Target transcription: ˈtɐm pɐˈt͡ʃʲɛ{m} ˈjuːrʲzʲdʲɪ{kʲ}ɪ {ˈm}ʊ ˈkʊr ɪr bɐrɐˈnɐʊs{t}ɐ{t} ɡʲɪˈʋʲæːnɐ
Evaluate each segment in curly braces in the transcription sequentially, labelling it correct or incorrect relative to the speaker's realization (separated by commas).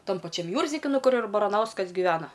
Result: correct, correct, incorrect, incorrect, incorrect